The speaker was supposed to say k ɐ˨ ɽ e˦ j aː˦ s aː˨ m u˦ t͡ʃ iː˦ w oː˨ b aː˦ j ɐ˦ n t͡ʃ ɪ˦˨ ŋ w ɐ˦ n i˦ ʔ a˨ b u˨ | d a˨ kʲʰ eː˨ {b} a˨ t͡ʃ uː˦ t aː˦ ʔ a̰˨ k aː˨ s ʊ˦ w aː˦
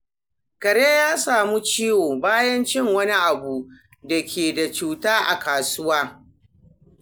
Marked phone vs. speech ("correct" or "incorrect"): incorrect